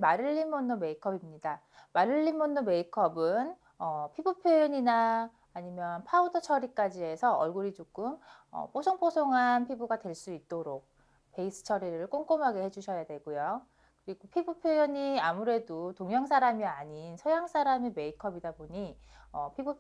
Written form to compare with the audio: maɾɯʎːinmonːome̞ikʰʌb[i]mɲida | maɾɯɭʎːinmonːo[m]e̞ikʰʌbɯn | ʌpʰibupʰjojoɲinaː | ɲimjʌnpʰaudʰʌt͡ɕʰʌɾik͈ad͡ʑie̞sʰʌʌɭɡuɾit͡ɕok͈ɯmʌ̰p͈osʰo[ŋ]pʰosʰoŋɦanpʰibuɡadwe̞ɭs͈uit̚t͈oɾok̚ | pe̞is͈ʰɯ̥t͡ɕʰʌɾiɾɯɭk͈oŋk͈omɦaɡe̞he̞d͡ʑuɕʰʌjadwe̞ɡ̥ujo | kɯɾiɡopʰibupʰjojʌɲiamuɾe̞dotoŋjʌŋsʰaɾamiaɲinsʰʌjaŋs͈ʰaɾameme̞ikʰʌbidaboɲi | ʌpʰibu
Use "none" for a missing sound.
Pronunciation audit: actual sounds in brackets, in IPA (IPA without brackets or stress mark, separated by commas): i, m, ŋ